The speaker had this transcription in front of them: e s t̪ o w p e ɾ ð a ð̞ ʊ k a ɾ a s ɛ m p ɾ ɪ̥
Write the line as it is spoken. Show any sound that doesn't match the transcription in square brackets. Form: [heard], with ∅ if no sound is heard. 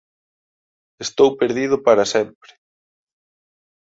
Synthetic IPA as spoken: e s t̪ o w p e ɾ ð [i] ð̞ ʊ [p] a ɾ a s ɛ m p ɾ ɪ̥